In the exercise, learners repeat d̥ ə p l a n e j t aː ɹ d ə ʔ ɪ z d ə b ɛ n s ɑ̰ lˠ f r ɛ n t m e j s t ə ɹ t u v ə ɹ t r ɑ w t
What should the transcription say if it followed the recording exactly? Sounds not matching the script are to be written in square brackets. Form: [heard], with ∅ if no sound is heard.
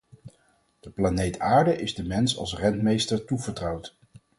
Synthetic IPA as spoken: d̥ ə p l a n e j t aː ɹ d ə ʔ ɪ z d ə [m] ɛ n s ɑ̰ lˠ [s] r ɛ n t m e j s t ə ɹ t u v ə ɹ t r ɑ w t